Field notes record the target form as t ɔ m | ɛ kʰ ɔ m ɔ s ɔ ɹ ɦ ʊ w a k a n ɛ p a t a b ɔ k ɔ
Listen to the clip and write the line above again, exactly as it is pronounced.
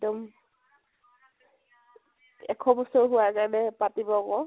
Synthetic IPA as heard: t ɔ m | ɛ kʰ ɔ b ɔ s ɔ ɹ ɦ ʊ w a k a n ɛ p a t i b ɔ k ɔ